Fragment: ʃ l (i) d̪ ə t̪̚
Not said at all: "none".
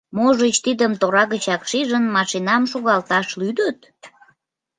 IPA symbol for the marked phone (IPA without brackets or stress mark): y